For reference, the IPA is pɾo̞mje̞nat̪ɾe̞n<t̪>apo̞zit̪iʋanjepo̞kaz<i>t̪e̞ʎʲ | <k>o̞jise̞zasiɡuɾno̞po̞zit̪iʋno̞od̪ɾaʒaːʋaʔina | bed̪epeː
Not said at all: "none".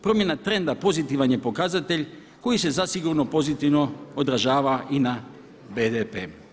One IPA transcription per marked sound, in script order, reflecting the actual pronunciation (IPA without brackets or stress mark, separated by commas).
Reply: d̪, a, k